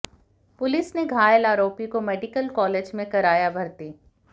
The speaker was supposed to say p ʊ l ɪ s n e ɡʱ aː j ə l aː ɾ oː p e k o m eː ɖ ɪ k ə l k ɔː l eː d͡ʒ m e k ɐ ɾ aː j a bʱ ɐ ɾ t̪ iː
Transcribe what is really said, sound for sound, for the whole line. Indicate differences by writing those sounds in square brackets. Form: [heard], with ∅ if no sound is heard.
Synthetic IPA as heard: p ʊ l ɪ s n e ɡʱ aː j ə l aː ɾ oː p [i] k o m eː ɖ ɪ k ə l k ɔː l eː d͡ʒ m [ẽ] k ɐ ɾ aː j a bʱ ɐ ɾ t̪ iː